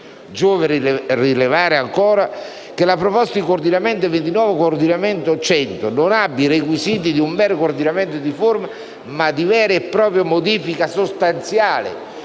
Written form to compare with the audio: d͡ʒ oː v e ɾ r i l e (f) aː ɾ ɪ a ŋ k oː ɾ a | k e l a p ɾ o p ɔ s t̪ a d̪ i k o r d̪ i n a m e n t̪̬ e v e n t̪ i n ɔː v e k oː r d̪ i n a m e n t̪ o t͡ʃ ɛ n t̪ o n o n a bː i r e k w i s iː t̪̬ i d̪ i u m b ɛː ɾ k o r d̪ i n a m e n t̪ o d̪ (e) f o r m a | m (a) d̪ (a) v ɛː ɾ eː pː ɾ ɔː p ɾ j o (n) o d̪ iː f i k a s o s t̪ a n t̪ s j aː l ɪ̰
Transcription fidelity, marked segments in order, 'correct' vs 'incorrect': incorrect: v, incorrect: i, correct, incorrect: i, incorrect: m

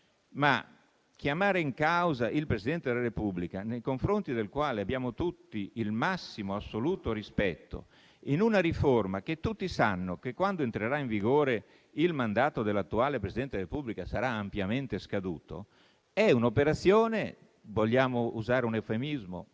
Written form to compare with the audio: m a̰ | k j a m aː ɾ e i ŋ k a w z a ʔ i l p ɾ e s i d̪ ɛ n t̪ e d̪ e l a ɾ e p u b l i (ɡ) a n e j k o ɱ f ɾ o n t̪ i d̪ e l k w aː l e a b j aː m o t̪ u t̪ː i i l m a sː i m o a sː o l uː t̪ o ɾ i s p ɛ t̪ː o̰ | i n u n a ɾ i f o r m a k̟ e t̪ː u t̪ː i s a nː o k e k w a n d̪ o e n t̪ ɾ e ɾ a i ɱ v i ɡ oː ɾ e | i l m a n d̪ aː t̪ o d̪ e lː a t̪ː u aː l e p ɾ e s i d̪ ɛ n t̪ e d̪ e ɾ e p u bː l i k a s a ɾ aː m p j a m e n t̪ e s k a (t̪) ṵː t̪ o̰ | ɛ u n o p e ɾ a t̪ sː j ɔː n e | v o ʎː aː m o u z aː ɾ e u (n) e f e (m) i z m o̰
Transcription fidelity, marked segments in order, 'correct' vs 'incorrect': incorrect: k, incorrect: d̪, correct, correct

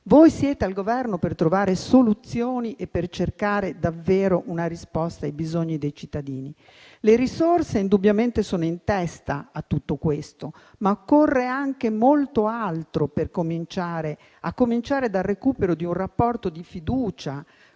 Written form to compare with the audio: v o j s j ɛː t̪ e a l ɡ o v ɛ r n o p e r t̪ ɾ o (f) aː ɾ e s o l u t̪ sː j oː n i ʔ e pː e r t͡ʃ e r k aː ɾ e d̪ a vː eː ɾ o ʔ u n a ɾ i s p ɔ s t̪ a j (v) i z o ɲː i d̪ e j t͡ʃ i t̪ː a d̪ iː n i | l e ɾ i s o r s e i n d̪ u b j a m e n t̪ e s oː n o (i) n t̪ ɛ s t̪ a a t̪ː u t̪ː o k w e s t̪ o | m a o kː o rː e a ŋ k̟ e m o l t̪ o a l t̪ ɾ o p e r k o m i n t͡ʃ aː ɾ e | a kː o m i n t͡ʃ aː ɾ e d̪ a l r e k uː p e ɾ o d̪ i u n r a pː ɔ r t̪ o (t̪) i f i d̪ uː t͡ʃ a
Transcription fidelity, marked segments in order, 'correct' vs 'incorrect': incorrect: v, incorrect: b, correct, incorrect: d̪

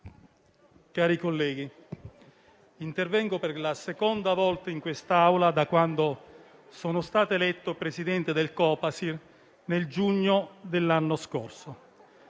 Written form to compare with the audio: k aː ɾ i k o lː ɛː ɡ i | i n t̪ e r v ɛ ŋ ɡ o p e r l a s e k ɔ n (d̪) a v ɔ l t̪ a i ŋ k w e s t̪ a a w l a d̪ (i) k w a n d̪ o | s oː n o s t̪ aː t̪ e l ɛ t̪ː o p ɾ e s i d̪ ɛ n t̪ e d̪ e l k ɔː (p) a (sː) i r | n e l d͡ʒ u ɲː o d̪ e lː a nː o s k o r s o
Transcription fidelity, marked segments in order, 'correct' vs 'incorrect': correct, incorrect: a, correct, incorrect: s

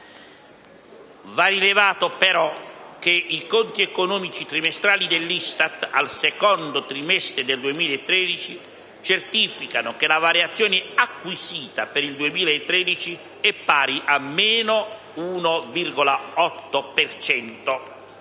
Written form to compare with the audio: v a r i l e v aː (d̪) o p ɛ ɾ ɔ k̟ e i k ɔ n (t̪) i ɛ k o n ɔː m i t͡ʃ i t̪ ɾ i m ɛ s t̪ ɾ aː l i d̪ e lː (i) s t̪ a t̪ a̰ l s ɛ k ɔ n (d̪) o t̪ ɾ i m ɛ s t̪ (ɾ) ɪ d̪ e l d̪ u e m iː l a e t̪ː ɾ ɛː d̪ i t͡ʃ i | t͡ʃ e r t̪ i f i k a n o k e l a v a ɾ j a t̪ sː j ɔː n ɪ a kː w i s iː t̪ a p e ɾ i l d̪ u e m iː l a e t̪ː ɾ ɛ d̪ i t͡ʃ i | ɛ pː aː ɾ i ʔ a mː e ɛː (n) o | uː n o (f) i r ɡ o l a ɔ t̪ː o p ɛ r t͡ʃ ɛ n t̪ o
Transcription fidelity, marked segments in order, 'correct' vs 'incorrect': incorrect: t̪, correct, correct, correct, correct, correct, incorrect: v

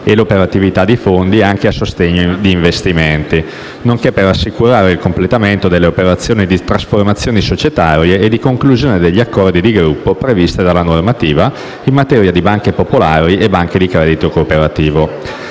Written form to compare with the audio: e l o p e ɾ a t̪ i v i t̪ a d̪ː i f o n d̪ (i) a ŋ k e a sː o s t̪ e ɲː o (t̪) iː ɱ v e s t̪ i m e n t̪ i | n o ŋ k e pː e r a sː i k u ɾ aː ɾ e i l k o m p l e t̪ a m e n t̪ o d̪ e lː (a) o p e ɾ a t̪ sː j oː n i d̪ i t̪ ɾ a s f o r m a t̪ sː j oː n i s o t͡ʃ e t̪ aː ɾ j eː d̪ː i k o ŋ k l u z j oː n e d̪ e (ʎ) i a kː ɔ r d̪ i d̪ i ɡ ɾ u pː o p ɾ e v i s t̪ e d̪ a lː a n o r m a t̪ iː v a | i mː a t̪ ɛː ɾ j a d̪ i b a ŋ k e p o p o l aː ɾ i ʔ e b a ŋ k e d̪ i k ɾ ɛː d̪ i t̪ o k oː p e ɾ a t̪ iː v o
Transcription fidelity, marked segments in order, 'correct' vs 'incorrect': correct, incorrect: d̪, incorrect: e, incorrect: ʎː

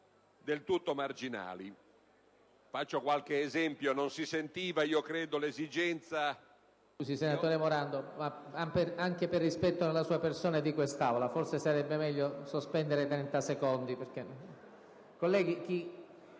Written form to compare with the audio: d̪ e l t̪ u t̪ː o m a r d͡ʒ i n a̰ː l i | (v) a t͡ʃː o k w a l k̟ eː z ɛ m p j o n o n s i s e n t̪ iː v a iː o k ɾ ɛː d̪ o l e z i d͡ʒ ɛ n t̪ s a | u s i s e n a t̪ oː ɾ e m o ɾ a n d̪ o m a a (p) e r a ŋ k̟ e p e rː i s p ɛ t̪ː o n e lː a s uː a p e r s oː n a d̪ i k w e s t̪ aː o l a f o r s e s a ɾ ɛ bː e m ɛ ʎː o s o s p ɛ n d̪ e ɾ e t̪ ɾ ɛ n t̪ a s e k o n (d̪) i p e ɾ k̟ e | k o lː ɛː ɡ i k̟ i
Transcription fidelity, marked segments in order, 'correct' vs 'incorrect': incorrect: f, correct, correct

